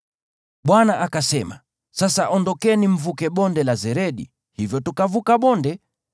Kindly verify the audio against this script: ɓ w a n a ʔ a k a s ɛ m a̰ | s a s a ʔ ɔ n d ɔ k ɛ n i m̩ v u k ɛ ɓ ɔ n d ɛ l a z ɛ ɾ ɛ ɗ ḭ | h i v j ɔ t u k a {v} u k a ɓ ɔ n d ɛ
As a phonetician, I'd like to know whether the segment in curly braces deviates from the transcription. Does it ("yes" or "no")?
no